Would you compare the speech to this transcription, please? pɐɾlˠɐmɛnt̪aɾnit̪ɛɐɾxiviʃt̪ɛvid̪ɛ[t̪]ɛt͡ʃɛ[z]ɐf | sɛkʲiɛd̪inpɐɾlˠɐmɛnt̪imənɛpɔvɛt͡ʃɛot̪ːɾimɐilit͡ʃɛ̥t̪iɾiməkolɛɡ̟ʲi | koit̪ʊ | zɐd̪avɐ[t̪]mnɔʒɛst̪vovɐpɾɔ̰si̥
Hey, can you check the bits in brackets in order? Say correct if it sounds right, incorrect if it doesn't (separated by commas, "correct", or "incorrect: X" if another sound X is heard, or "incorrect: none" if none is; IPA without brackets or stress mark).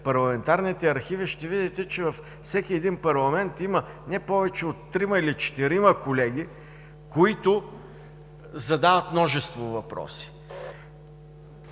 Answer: correct, incorrect: v, correct